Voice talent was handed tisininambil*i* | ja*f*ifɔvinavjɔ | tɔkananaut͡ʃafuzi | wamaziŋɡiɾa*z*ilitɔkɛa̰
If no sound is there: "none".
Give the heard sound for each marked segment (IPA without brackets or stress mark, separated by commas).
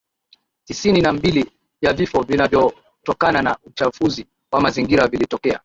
i, v, v